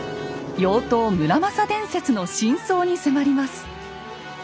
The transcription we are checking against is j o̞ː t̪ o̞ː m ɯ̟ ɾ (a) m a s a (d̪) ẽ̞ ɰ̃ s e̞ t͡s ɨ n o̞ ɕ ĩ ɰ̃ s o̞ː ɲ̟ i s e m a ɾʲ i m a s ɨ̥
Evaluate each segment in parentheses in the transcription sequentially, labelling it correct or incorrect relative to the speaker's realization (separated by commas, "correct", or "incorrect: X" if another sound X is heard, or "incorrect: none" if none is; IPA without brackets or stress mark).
correct, correct